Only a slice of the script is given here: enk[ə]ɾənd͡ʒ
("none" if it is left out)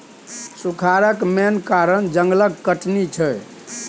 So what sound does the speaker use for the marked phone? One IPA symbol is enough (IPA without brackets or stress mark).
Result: a